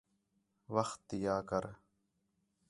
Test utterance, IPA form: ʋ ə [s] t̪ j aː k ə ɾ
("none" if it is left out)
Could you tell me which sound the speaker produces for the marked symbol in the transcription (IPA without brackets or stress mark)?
x